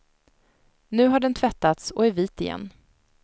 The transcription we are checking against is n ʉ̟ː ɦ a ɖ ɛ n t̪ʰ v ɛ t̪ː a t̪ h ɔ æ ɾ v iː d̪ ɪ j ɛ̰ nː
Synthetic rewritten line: n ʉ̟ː ɦ a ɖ ɛ n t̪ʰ v ɛ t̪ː a t̪ s ɔ æ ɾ v iː t̪ ɪ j ɛ̰ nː